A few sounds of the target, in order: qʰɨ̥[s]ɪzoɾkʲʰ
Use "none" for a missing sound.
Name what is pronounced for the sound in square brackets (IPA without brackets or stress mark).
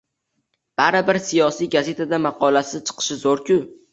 ʃ